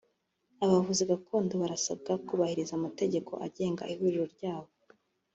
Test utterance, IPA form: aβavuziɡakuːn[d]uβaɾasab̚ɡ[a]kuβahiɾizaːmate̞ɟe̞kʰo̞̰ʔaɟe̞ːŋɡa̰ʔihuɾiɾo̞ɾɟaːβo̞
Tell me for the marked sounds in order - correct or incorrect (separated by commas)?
correct, correct